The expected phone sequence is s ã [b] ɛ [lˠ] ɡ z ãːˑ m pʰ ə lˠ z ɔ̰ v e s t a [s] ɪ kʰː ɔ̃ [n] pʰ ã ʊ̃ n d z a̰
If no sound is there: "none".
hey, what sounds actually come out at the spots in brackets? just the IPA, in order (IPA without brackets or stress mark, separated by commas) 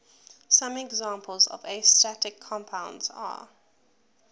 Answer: m, none, t, m